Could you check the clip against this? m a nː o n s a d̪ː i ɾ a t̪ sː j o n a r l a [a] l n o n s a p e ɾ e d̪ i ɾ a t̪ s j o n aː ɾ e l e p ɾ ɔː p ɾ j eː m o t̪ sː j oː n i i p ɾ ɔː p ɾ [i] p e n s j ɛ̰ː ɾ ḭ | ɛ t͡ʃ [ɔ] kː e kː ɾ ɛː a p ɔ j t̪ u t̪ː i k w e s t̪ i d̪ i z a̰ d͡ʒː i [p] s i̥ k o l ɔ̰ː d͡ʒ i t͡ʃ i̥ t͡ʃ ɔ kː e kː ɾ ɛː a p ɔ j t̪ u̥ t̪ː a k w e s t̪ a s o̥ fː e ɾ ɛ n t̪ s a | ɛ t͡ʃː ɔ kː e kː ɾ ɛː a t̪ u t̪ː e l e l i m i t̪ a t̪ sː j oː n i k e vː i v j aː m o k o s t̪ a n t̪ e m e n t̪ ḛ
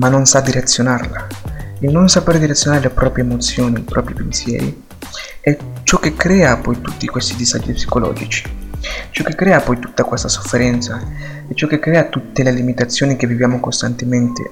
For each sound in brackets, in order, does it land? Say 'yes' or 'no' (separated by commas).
no, yes, yes, yes